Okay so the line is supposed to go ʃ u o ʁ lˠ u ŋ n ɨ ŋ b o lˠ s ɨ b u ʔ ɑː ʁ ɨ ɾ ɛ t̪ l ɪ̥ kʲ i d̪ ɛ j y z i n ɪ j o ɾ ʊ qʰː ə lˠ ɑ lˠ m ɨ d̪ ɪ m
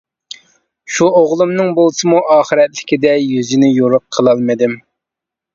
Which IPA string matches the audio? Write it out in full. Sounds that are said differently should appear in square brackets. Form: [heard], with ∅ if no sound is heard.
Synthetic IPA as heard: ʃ u o ʁ lˠ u [m] n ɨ ŋ b o lˠ s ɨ [m] u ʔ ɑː [χ] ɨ ɾ ɛ t̪ l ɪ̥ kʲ i d̪ ɛ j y z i n ɪ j o ɾ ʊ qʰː ə lˠ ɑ lˠ m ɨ d̪ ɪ m